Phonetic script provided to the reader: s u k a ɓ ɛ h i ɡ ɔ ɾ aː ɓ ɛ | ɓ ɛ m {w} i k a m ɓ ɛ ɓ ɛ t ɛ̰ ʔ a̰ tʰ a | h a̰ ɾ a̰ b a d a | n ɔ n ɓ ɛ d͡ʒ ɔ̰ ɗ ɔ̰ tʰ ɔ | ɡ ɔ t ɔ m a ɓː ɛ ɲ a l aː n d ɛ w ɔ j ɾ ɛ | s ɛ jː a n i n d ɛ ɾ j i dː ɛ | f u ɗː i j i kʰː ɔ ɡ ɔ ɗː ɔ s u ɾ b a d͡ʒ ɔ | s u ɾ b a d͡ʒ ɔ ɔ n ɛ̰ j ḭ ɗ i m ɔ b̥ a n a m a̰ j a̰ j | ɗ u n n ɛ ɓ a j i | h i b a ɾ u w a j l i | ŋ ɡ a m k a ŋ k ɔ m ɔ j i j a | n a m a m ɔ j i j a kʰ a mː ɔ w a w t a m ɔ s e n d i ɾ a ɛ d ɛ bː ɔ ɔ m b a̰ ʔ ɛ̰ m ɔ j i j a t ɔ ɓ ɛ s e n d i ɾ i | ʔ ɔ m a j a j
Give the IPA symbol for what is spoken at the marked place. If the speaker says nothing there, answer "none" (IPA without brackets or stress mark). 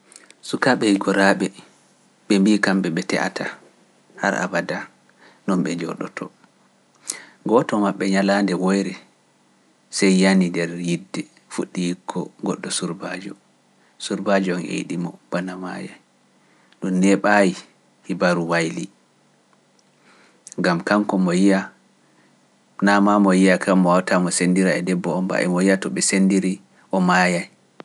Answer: b